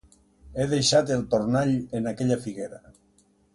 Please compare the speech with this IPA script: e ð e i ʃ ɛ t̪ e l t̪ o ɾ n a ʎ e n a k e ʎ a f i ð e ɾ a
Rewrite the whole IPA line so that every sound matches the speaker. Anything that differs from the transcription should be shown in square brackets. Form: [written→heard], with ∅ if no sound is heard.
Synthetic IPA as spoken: e ð e [i→j] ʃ [ɛ→a] t̪ e l t̪ o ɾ n a ʎ e n a k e ʎ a f i [ð→ɣ] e ɾ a